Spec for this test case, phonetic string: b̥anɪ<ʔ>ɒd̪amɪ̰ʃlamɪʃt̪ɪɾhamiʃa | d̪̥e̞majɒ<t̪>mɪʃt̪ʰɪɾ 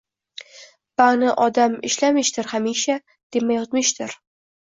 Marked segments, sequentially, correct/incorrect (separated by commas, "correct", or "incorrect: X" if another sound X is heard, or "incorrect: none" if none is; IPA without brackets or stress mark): correct, correct